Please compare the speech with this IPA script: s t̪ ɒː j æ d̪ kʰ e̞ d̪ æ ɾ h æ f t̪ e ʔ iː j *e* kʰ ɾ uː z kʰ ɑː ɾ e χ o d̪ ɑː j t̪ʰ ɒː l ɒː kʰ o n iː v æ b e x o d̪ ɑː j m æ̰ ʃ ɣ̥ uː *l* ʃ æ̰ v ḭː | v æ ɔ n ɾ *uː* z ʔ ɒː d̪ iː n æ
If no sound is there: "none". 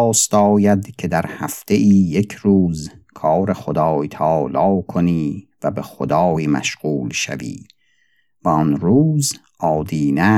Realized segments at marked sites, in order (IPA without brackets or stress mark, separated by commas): e, l, uː